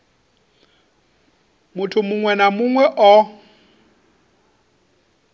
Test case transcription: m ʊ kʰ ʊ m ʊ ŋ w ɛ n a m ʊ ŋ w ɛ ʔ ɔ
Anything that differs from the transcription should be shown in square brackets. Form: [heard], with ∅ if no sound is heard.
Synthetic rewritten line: m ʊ [tʰ] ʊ m ʊ ŋ w ɛ n a m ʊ ŋ w ɛ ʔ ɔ